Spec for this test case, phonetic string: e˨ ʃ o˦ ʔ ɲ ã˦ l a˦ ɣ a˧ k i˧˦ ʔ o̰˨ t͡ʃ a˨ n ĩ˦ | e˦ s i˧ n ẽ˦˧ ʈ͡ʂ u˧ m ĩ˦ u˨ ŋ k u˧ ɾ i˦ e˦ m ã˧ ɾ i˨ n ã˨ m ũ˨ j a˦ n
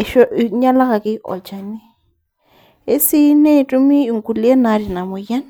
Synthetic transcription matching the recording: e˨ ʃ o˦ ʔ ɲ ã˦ l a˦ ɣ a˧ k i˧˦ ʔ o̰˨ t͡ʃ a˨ n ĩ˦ | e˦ s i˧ n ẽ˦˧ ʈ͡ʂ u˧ m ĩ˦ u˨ ŋ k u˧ l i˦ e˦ n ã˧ ɾ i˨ n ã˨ m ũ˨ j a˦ n